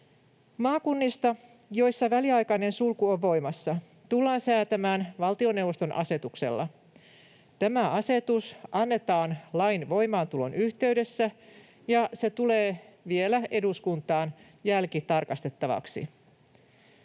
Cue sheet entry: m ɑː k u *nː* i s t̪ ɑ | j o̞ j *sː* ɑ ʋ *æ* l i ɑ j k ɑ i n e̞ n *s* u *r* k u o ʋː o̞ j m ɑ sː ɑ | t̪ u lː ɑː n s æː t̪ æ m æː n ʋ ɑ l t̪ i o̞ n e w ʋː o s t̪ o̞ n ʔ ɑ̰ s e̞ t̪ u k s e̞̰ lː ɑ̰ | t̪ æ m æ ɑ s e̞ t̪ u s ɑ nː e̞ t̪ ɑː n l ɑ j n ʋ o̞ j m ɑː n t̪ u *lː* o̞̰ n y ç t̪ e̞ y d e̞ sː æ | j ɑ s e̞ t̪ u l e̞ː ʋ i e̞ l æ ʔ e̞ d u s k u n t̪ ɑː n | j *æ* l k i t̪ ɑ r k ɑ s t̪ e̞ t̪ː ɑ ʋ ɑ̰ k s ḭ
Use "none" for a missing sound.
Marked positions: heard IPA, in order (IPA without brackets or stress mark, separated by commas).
nː, sː, æ, s, l, l, æ